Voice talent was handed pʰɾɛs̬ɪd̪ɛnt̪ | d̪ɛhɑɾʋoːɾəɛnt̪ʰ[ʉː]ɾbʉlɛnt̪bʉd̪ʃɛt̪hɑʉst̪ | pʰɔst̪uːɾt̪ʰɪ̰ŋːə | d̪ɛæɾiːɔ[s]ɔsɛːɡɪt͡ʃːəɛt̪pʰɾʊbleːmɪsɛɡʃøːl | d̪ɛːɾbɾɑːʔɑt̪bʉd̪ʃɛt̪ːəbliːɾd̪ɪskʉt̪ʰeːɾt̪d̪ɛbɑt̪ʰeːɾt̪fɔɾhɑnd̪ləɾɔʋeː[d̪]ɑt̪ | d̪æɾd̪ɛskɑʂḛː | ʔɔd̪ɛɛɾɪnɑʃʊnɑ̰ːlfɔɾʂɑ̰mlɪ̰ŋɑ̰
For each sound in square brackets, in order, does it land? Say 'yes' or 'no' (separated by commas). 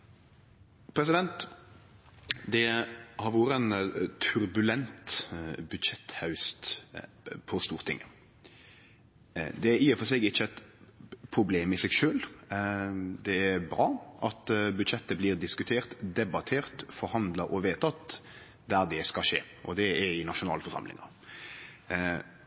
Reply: no, no, no